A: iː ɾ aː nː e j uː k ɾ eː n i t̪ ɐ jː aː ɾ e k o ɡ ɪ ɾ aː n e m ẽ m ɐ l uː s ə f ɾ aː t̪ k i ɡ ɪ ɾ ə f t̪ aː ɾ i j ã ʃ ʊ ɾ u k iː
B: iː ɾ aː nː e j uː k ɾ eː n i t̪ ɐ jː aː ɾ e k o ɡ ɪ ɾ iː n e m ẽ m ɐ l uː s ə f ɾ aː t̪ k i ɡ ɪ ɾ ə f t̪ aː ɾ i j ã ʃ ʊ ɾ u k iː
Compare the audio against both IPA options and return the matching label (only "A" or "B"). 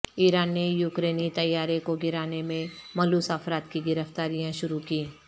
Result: A